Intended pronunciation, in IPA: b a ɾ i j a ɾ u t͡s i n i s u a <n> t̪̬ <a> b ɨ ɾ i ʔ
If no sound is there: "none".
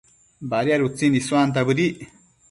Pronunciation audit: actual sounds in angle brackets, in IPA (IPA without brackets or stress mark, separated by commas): n, a